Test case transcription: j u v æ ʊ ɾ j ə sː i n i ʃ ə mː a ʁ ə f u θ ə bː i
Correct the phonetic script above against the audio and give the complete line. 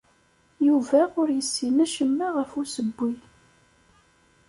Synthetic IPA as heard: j u v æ ʊ ɾ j ə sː i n æ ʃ ə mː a ʁ ə f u s ə bː i